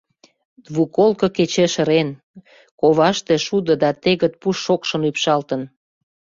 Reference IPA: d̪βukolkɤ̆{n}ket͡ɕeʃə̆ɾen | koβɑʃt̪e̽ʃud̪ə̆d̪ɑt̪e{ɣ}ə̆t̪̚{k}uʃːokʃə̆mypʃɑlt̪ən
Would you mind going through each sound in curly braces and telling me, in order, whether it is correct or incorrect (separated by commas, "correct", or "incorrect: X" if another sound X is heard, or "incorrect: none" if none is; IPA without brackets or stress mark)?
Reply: incorrect: none, correct, incorrect: p